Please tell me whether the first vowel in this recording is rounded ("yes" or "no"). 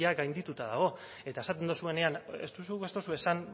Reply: no